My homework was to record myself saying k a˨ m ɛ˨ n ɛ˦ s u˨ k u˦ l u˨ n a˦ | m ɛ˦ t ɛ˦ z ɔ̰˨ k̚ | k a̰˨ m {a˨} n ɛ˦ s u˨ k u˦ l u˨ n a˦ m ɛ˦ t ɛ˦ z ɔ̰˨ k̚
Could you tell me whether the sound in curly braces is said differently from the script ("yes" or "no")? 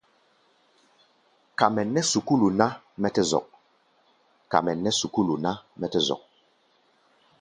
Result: yes